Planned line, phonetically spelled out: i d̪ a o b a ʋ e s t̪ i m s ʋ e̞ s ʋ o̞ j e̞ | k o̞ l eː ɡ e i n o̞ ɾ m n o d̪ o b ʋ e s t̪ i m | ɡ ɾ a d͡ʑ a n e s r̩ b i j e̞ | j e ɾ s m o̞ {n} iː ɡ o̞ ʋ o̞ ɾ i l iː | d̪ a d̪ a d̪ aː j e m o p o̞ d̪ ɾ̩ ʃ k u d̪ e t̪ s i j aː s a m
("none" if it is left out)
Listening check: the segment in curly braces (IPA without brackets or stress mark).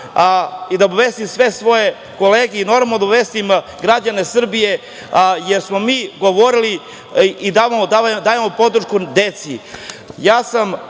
m